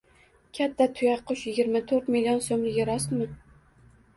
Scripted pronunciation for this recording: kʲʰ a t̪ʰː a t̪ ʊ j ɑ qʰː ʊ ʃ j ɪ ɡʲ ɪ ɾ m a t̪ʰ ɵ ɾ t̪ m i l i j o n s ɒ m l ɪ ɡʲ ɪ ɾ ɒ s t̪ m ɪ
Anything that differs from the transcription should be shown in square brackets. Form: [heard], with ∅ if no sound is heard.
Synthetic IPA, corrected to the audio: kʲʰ a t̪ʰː a [t̪ʰ] ʊ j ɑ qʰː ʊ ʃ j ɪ ɡʲ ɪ ɾ m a t̪ʰ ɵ ɾ t̪ m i l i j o n s [o] m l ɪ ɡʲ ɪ ɾ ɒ s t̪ m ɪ

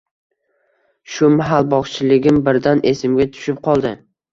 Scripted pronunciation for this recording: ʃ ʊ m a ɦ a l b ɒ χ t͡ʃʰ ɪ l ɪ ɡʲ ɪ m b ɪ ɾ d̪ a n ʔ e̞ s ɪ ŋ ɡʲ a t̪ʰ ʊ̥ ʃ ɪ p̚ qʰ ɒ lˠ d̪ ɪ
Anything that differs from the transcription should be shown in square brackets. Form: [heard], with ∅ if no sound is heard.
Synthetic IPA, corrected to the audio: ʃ ʊ m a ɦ a l b ɒ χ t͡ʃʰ ɪ l ɪ ɡʲ ɪ m b ɪ ɾ d̪ a n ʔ e̞ s ɪ [m] ɡʲ a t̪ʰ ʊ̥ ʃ ɪ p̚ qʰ ɒ lˠ d̪ ɪ

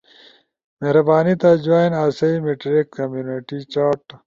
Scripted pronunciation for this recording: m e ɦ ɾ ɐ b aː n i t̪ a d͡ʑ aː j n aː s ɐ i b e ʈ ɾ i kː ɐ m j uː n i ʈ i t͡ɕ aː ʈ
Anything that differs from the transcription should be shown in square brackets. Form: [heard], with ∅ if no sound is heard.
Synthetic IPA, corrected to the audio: m e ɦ ɾ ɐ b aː n i t̪ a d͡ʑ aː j n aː s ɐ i [m] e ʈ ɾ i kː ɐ m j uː n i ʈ i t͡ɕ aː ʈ

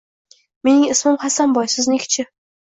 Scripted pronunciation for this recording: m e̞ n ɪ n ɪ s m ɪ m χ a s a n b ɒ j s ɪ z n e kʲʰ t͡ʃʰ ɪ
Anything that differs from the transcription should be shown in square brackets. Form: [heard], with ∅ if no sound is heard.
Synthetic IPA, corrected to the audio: m e̞ n ɪ [ŋ] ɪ s m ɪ m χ a s a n b ɒ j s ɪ z n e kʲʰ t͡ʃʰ ɪ

